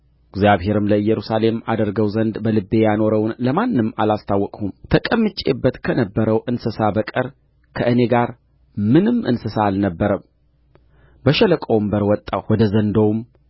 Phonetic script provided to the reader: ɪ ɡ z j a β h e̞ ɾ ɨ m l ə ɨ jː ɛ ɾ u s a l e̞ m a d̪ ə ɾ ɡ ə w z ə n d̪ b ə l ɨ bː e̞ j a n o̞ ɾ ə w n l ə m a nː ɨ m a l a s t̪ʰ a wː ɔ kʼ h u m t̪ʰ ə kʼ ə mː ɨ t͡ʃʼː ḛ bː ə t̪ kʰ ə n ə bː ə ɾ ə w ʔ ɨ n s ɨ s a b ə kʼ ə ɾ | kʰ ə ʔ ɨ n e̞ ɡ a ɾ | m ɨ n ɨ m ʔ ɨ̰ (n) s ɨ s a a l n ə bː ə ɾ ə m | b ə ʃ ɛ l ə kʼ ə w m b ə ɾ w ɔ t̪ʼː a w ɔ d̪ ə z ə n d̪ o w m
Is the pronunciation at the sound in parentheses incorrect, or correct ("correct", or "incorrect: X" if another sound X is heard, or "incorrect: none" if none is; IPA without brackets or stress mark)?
correct